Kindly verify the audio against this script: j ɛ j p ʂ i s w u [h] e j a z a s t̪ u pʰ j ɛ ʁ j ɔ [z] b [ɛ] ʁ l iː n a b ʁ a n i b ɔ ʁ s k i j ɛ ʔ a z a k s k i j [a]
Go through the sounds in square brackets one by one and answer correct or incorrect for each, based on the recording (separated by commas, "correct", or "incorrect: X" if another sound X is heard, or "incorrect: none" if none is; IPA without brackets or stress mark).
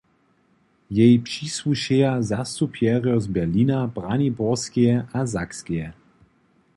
incorrect: ʃ, correct, correct, incorrect: ɛ